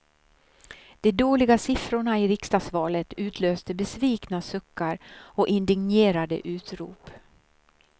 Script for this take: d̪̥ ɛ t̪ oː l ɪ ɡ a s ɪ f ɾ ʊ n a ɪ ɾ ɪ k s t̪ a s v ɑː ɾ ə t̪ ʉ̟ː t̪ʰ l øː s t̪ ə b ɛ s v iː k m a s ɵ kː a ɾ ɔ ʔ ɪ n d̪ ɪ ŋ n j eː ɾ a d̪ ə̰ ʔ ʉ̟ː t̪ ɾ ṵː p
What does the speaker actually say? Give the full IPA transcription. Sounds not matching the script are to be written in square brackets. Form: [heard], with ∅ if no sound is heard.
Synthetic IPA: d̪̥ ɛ [d̪] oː l ɪ ɡ a s ɪ f ɾ ʊ [ɳ] a ɪ ɾ ɪ k s t̪ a s v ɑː [l] ə t̪ ʉ̟ː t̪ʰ l øː s t̪ ə b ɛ s v iː k [n] a s ɵ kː a ɾ ɔ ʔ ɪ n d̪ ɪ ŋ n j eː ɾ a d̪ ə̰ ʔ ʉ̟ː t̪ ɾ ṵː p